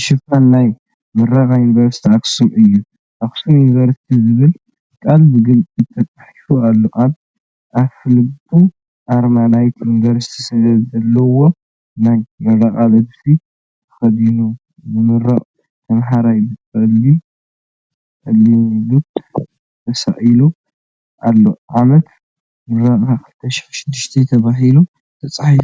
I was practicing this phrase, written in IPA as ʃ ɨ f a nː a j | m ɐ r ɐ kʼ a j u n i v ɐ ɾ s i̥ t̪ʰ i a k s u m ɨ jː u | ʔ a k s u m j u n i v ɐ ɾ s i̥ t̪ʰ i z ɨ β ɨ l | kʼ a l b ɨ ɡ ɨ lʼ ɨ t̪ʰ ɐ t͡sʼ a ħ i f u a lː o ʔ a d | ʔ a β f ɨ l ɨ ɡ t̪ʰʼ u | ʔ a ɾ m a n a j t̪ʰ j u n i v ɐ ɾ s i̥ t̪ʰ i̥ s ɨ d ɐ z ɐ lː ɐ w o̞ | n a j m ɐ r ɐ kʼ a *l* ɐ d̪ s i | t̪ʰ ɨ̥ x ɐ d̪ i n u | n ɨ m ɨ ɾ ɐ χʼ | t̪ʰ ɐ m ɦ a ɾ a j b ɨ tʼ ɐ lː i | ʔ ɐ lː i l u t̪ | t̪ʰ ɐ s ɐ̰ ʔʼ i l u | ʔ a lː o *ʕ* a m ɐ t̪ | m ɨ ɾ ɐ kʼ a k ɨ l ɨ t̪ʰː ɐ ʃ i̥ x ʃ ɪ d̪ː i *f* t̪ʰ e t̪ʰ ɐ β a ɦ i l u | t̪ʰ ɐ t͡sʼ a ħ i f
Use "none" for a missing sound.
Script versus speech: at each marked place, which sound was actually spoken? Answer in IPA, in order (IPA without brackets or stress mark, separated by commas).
l, ʕ, ʃ